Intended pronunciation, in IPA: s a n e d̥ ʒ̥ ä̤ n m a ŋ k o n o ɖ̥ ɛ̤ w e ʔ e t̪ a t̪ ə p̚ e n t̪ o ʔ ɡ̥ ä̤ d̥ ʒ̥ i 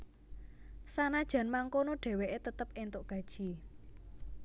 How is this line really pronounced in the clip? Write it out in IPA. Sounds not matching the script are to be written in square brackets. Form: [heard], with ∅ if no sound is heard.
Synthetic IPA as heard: s a n [a] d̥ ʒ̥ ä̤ n m a ŋ k o n o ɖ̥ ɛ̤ w e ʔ e t̪ [ə] t̪ ə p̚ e n t̪ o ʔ ɡ̥ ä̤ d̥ ʒ̥ i